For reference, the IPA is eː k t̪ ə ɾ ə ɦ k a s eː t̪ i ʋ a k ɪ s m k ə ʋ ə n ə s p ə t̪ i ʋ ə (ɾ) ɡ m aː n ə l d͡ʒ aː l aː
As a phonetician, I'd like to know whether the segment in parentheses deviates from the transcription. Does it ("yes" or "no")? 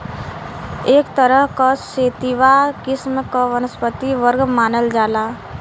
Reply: no